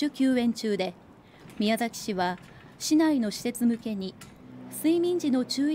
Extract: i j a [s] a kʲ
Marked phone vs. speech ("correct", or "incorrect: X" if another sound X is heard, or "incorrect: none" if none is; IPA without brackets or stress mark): incorrect: z